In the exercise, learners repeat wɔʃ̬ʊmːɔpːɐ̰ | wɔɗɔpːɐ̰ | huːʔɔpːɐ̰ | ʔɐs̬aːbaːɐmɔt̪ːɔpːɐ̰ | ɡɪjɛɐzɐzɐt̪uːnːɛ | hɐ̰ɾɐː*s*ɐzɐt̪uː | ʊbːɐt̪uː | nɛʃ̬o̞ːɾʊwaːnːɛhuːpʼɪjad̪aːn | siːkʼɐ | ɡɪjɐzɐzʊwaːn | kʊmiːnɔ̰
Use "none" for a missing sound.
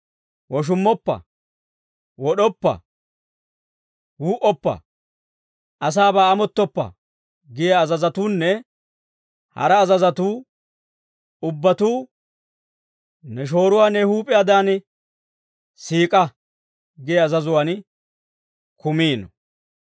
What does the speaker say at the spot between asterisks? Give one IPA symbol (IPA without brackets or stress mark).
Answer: z